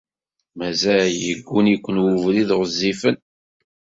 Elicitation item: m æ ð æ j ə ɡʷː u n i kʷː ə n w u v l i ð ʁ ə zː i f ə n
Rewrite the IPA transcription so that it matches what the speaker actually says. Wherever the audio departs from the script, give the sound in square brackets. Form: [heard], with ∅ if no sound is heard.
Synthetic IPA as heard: m æ [z] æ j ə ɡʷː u n i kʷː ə n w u v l i ð ʁ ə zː i f ə n